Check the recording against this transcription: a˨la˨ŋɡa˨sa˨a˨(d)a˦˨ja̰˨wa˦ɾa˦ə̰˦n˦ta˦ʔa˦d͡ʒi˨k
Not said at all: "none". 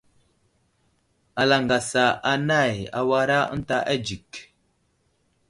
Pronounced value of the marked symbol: n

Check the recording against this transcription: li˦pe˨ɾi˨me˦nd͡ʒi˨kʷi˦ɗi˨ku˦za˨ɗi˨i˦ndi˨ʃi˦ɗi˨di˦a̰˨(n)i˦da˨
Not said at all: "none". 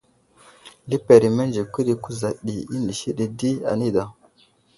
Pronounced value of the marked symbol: n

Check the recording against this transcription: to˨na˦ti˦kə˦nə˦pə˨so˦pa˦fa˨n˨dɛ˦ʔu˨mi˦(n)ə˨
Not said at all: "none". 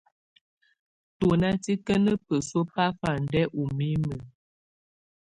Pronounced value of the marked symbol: m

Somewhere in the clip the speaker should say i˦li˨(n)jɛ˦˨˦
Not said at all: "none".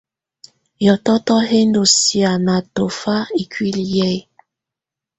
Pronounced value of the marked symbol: none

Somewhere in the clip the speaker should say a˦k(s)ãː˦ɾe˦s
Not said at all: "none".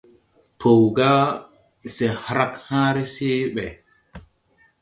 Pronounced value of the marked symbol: h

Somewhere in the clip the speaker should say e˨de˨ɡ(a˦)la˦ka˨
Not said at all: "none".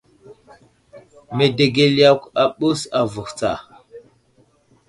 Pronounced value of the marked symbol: e˦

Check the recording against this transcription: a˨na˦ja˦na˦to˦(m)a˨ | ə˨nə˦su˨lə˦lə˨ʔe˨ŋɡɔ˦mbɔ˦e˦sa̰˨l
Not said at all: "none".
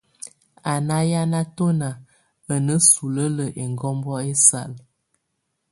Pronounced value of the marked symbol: n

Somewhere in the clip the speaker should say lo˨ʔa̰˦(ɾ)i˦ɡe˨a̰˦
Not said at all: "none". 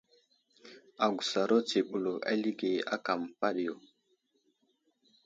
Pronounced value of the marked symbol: l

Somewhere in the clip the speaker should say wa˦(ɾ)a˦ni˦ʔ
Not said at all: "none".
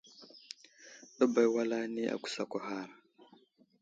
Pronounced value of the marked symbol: l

